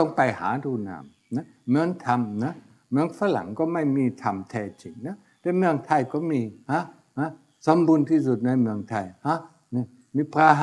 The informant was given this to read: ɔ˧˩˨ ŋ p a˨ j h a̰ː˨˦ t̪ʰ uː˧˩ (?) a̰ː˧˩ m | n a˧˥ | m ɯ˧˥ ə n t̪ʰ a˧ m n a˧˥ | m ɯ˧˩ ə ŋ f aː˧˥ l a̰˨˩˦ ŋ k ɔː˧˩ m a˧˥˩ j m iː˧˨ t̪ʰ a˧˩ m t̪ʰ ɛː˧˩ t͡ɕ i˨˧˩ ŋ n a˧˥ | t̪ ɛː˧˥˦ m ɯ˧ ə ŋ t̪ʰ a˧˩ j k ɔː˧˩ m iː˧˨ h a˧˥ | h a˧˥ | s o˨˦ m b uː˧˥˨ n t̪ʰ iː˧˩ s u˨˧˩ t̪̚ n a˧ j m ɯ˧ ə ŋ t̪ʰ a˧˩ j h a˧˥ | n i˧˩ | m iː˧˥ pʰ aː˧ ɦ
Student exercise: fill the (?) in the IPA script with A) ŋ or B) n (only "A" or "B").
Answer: B